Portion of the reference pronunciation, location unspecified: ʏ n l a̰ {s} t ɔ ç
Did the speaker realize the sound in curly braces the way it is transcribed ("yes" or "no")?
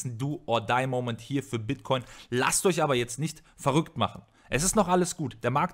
yes